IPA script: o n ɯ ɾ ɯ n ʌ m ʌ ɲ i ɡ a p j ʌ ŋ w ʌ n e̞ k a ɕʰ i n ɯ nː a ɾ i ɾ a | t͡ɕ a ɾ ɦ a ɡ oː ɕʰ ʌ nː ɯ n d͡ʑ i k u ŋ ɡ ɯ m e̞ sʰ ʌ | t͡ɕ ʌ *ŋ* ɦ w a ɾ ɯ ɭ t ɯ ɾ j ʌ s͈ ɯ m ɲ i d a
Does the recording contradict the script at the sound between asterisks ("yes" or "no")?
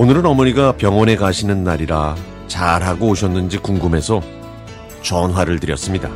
yes